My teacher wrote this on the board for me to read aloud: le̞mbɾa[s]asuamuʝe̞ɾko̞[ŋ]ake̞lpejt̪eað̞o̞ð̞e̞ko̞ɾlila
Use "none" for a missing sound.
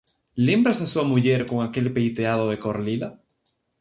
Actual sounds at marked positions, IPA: s, ŋ

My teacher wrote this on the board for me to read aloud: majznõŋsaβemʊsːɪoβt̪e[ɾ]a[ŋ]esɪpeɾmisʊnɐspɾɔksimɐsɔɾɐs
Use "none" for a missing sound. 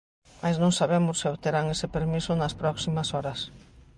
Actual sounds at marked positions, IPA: ɾ, ŋ

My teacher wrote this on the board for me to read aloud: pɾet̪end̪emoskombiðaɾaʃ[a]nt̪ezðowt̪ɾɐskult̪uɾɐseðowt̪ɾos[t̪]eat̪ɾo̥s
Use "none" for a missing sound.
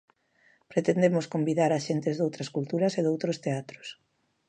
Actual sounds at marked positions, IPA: e, t̪

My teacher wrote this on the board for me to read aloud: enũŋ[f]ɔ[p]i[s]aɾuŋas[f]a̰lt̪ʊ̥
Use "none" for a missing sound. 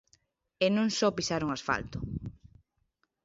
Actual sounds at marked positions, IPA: s, p, s, f

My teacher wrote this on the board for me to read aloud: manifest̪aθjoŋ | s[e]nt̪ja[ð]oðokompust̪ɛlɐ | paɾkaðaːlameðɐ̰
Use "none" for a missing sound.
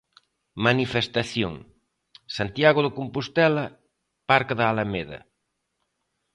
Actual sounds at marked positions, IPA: a, ɣ

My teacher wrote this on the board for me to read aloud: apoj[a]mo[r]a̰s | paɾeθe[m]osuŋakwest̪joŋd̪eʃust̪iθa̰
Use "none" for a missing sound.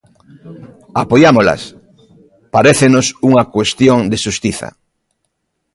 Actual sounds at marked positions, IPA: a, l, n

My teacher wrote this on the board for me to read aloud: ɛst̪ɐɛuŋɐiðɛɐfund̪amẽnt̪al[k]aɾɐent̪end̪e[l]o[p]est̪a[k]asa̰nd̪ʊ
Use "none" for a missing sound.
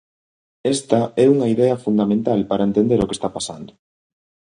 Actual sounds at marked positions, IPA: p, ɾ, k, p

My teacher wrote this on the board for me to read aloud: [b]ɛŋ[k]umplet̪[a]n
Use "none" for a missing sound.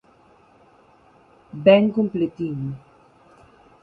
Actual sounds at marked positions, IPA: b, k, i

